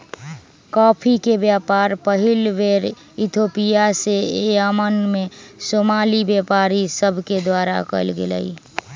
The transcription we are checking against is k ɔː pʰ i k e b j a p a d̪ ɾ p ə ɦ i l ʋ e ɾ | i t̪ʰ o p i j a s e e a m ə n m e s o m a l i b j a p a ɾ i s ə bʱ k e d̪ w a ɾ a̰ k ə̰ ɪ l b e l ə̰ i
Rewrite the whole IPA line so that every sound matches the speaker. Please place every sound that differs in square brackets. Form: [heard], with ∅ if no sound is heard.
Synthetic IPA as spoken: k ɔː pʰ i k e b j a p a [∅] ɾ p ə ɦ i l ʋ e ɾ | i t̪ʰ o p i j a s e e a m ə n m e s o m a l i b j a p a ɾ i s ə bʱ k e d̪ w a ɾ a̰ k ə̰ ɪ l [ɡ] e l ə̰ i

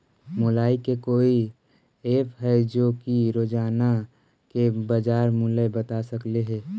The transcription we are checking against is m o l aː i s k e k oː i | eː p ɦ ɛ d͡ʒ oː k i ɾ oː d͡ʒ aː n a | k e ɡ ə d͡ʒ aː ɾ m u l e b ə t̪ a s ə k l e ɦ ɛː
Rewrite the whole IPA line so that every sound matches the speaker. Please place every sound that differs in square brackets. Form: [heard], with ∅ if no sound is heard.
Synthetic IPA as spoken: m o l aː i [∅] k e k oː i | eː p ɦ ɛ d͡ʒ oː k i ɾ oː d͡ʒ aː n a | k e [b] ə d͡ʒ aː ɾ m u l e b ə t̪ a s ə k l e ɦ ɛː

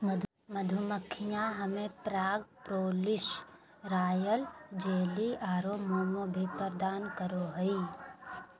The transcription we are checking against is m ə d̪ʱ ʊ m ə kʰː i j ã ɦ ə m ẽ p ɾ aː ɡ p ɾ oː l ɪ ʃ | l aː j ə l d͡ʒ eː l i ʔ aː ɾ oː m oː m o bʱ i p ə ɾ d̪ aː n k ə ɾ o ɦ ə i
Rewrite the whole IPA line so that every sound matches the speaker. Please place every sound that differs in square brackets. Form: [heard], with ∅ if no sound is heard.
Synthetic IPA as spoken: m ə d̪ʱ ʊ m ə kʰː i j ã ɦ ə m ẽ p ɾ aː ɡ p ɾ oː l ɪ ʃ | [ɾ] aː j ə l d͡ʒ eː l i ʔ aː ɾ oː m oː m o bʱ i p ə ɾ d̪ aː n k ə ɾ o ɦ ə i

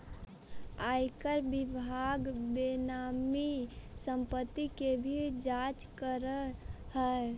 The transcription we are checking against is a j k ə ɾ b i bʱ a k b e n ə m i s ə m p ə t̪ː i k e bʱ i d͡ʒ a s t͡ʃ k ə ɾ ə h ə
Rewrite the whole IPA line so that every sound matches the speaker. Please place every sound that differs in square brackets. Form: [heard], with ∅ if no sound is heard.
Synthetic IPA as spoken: a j k ə ɾ b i bʱ a [ɡ] b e n [a] m i s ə m p ə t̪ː i k e bʱ i d͡ʒ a [∅] t͡ʃ k ə ɾ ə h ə

